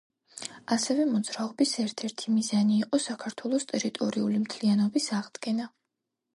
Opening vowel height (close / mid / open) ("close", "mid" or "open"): open